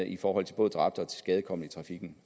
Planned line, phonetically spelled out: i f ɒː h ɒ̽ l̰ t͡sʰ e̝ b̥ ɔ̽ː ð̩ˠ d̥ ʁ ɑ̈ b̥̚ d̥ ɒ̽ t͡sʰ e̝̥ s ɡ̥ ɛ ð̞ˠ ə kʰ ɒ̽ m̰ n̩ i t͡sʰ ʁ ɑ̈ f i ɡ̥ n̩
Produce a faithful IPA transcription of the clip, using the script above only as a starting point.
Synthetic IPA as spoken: i f ɒː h ɒ̽ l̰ t͡sʰ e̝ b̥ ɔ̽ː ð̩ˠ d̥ ʁ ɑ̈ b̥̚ d̥ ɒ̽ t͡sʰ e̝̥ s ɡ̥ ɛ ð̞ˠ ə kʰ ɒ̽ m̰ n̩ i t͡sʰ ʁ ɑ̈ f i ɡ̥ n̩